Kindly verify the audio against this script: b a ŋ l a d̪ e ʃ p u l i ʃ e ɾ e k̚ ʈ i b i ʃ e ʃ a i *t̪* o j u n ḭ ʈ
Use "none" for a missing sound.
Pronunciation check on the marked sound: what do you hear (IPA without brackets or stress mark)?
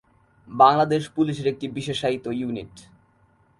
t̪